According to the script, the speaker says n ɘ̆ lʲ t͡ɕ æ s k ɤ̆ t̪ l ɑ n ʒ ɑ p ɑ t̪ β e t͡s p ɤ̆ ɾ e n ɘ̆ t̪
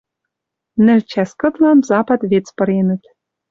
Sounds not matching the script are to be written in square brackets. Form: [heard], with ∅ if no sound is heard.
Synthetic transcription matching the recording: n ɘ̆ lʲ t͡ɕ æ s k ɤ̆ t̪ l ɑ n [z] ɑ p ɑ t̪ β e t͡s p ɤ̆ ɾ e n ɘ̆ t̪